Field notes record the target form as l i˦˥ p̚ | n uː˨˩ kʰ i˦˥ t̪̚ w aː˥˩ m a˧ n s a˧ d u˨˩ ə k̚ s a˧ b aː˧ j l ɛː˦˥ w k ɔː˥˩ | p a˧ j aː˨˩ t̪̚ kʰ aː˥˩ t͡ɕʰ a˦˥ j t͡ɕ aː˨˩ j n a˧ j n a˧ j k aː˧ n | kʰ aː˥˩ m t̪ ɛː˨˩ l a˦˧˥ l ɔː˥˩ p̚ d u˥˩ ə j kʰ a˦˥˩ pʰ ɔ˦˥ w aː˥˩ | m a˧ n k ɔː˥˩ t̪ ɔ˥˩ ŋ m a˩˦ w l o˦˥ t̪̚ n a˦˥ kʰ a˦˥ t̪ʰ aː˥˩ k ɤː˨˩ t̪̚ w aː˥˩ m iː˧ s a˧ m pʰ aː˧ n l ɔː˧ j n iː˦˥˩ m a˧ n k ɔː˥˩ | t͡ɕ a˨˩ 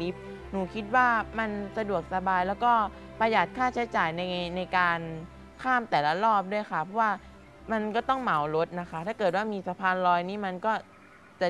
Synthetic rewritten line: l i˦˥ p̚ | n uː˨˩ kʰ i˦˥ t̪̚ w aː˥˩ m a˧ n s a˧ d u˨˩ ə k̚ s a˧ b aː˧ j l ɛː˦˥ w k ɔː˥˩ | p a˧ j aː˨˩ t̪̚ kʰ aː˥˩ t͡ɕʰ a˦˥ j t͡ɕ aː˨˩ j n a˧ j n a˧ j k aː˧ n | kʰ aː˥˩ m t̪ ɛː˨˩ l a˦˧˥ l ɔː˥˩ p̚ d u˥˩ ə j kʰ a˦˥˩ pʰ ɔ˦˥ w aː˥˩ | m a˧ n k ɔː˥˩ t̪ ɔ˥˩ ŋ m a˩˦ w l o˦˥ t̪̚ n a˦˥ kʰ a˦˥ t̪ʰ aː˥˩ k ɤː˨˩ t̪̚ w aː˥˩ m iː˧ s a˧ pʰ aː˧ n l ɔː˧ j n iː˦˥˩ m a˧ n k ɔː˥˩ | t͡ɕ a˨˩

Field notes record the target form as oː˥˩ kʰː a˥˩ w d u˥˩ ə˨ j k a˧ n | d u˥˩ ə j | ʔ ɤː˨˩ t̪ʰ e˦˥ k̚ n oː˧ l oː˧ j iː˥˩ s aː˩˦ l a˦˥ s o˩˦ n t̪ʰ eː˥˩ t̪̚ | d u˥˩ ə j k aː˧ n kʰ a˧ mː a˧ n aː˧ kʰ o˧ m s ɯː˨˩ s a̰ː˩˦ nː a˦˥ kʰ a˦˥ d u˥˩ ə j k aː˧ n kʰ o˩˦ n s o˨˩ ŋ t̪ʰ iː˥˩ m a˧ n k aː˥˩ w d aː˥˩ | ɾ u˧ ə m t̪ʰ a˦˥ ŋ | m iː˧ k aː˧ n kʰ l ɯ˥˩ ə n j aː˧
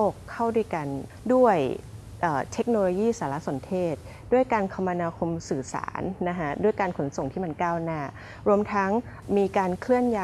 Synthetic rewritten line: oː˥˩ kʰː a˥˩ w d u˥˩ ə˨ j k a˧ n | d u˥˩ ə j | ʔ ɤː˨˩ t̪ʰ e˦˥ k̚ n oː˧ l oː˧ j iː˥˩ s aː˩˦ l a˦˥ s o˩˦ n t̪ʰ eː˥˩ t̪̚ | d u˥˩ ə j k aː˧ n kʰ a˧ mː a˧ n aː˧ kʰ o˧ m s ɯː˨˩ s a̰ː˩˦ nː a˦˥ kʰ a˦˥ d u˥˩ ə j k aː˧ n kʰ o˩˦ n s o˨˩ ŋ t̪ʰ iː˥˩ m a˧ n k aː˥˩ w n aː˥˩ | ɾ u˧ ə m t̪ʰ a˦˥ ŋ | m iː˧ k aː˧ n kʰ l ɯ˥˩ ə n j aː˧

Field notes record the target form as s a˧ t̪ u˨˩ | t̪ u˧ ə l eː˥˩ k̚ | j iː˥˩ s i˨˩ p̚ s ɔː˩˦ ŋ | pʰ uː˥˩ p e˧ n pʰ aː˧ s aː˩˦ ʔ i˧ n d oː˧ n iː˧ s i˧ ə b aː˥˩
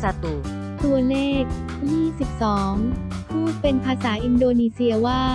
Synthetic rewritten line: s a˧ t̪ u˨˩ | t̪ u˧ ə l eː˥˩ k̚ | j iː˥˩ s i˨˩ p̚ s ɔː˩˦ ŋ | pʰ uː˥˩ p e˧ n pʰ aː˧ s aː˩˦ ʔ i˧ n d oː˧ n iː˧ s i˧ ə w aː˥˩

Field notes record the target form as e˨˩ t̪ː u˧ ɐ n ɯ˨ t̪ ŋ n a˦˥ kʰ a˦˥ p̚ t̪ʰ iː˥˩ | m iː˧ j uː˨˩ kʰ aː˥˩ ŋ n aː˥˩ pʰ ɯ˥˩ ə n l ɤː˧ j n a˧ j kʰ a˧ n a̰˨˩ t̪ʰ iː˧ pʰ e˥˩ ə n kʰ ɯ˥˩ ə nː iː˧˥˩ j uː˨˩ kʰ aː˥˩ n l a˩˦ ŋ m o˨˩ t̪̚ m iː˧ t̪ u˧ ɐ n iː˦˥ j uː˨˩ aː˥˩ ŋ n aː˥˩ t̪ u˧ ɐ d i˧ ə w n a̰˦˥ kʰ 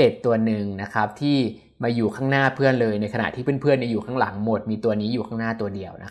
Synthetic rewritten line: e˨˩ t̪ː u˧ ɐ n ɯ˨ ŋ n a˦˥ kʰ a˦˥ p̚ t̪ʰ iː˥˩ | m aː˧ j uː˨˩ kʰ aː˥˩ ŋ n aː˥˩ pʰ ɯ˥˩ ə n l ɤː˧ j n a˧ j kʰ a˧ n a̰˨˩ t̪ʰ iː˥˩ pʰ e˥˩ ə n pʰ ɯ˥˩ ə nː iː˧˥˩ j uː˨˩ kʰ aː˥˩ ŋ l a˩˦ ŋ m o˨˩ t̪̚ m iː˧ t̪ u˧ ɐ n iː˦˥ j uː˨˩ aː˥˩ ŋ n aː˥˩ t̪ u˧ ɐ d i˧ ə w n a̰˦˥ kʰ

